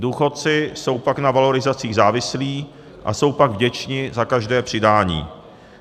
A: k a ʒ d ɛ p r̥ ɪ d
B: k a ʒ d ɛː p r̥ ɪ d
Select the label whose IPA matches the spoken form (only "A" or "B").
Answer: B